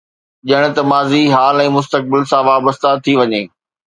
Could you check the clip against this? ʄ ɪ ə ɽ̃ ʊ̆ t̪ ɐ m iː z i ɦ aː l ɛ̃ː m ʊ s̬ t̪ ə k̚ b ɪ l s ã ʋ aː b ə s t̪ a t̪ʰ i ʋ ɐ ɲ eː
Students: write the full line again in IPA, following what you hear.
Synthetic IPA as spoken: ʄ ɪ ə ɽ̃ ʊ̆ t̪ ɐ m aː z i ɦ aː l ɛ̃ː m ʊ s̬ t̪ ə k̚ b ɪ l s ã ʋ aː b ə s t̪ a t̪ʰ i ʋ ɐ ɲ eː